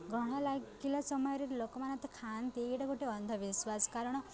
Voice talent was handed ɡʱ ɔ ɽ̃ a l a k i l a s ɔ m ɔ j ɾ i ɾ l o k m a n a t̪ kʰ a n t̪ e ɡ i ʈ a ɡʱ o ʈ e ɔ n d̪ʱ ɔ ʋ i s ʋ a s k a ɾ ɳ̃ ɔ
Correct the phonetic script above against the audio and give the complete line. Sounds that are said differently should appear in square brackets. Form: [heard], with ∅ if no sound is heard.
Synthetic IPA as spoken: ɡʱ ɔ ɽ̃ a l a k i l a s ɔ m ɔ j ɾ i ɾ l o k m a n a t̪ kʰ a n t̪ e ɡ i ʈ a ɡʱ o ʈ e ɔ n d̪ʱ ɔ ʋ i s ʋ a s k a ɾ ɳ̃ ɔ